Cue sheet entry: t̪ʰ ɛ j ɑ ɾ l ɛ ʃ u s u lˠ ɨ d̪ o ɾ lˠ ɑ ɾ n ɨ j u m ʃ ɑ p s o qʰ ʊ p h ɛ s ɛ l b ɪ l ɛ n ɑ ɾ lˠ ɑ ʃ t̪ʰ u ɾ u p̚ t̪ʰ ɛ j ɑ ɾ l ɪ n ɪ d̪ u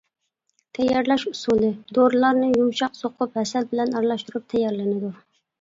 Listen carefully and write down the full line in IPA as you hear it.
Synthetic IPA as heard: t̪ʰ ɛ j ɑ ɾ l ɛ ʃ u s u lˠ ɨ d̪ o ɾ lˠ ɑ ɾ n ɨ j u m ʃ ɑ q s o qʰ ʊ p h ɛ s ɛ l b ɪ l ɛ n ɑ ɾ lˠ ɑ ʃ t̪ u ɾ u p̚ t̪ʰ ɛ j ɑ ɾ l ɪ n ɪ d̪ u